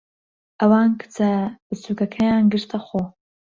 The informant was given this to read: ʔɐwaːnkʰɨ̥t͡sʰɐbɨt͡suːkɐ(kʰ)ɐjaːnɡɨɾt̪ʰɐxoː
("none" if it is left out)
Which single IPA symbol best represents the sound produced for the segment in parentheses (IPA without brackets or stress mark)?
kʰ